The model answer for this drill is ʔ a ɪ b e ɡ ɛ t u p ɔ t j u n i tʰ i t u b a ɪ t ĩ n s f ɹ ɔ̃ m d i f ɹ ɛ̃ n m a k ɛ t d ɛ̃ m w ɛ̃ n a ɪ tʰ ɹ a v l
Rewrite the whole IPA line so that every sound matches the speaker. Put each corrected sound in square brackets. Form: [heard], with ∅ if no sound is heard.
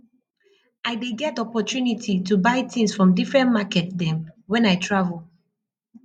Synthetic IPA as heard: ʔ a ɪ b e ɡ ɛ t [ɔ] p ɔ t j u n i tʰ i t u b a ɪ t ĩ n s f ɹ ɔ̃ m d i f ɹ ɛ̃ n m a k ɛ t d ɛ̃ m w ɛ̃ n a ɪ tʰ ɹ a v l